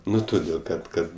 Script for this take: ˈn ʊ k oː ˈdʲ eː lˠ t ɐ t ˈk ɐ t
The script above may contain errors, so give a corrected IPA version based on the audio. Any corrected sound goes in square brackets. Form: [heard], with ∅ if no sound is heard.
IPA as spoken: ˈn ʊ [t] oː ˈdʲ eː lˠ [k] ɐ t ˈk ɐ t